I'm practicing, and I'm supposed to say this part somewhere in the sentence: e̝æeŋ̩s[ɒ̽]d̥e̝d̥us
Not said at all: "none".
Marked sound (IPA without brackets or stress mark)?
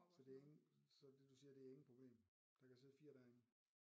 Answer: ɒ̽